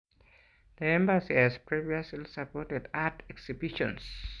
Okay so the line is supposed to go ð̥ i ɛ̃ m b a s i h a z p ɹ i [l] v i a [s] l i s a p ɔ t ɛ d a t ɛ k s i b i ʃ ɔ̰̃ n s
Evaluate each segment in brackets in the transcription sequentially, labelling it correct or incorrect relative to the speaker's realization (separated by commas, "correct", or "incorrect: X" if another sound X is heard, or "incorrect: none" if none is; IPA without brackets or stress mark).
incorrect: none, correct